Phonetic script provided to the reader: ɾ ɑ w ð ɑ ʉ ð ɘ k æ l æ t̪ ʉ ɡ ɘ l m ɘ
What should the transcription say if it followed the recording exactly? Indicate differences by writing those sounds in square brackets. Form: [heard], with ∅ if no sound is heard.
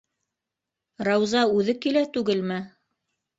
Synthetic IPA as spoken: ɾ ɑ w [z] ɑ ʉ ð ɘ k [i] l æ t̪ ʉ ɡ ɘ l m ɘ